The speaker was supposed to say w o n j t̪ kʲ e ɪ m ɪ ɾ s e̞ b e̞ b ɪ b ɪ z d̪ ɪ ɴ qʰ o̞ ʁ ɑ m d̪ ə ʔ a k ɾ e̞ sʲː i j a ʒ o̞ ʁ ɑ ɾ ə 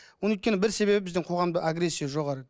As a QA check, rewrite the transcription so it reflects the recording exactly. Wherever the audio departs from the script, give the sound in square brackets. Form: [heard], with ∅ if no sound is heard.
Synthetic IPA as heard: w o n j t̪ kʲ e ɪ [b] ɪ ɾ s e̞ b e̞ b ɪ b ɪ z d̪ ɪ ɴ qʰ o̞ ʁ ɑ m d̪ ə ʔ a [ɡ] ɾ e̞ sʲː i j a ʒ o̞ ʁ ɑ ɾ ə